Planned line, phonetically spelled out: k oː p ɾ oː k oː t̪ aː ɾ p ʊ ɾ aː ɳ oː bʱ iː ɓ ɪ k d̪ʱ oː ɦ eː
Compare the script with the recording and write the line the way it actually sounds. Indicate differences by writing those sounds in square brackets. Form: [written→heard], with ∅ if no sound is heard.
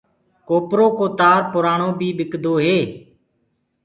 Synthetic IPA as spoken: k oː p ɾ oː k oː t̪ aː ɾ p ʊ ɾ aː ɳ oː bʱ iː ɓ ɪ k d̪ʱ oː ɦ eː